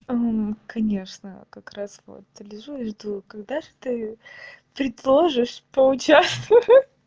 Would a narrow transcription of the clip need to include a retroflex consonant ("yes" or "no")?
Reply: yes